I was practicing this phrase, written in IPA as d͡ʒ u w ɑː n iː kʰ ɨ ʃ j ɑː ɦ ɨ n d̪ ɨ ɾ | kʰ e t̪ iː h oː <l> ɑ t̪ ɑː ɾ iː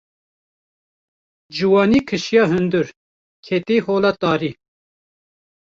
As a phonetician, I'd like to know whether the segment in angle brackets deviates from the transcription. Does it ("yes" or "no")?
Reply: no